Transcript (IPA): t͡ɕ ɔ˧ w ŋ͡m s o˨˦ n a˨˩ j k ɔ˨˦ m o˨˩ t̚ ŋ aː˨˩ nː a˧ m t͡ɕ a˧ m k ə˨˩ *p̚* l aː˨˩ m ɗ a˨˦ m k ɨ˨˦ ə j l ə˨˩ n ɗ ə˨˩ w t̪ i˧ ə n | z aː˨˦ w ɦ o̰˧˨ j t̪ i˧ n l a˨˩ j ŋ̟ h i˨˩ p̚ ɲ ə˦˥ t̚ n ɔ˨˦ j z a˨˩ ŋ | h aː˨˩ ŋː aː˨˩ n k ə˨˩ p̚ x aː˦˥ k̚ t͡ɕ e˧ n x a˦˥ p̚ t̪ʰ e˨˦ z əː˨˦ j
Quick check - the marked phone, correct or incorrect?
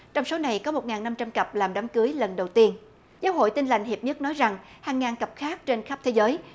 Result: correct